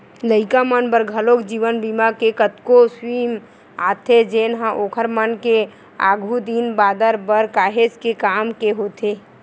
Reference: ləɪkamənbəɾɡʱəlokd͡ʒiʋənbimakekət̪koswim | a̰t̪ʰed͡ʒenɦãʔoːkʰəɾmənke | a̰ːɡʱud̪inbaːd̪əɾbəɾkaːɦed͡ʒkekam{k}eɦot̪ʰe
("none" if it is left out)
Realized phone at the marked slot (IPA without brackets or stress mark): k